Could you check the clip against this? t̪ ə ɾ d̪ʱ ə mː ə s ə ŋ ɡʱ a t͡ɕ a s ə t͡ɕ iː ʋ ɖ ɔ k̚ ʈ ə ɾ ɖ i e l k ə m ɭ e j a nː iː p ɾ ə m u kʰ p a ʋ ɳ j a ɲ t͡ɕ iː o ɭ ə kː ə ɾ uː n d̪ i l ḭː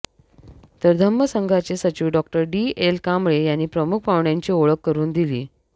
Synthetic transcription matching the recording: t̪ ə ɾ d̪ʱ ə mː ə s ə ŋ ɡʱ a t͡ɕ e s ə t͡ɕ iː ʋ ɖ ɔ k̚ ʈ ə ɾ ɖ i e l k a m ɭ e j a nː iː p ɾ ə m u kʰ p a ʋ ɳ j a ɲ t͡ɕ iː o ɭ ə kː ə ɾ uː n d̪ i l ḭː